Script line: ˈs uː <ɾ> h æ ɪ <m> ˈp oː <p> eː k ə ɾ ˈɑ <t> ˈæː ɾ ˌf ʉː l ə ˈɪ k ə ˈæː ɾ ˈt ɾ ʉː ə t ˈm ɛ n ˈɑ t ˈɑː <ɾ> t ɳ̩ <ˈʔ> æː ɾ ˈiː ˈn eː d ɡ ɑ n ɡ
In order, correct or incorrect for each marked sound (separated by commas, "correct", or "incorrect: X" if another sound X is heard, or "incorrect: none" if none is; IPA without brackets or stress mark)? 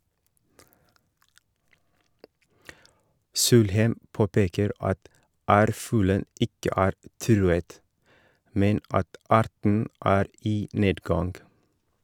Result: incorrect: l, correct, correct, correct, correct, correct